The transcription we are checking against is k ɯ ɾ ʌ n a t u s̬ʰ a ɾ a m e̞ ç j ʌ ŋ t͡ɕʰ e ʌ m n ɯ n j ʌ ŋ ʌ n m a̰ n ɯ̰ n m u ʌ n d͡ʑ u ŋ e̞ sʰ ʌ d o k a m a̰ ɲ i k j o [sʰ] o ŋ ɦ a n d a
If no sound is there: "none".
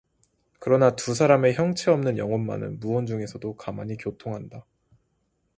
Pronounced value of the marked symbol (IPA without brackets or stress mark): tʰ